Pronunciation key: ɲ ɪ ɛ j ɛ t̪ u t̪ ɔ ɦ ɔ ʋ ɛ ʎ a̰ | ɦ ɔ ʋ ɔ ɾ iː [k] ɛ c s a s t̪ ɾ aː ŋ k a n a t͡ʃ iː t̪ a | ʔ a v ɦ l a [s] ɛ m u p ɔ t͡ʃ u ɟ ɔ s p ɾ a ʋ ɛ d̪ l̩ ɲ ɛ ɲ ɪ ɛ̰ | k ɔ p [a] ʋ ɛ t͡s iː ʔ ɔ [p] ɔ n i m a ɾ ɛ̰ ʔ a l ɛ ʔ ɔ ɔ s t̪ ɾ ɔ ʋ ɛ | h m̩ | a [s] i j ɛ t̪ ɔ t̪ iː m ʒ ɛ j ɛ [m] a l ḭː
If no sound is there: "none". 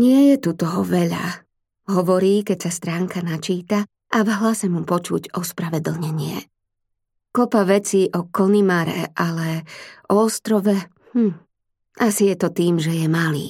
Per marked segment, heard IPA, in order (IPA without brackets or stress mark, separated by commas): k, s, a, k, s, m